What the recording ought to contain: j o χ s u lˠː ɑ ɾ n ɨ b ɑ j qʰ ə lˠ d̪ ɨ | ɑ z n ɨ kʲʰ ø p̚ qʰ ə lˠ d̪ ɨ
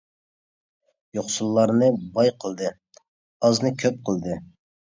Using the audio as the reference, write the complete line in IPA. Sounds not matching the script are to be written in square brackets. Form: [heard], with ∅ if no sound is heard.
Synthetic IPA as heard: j o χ s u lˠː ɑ ɾ n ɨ b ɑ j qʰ ə lˠ d̪ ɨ | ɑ z n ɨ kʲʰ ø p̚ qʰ ə lˠ d̪ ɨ